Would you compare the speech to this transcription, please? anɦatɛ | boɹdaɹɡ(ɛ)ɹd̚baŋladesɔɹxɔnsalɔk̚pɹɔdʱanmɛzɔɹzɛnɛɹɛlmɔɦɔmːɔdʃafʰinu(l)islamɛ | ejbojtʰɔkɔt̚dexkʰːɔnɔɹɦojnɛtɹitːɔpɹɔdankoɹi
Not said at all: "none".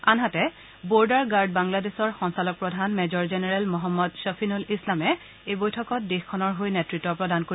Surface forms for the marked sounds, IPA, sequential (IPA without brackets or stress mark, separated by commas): a, l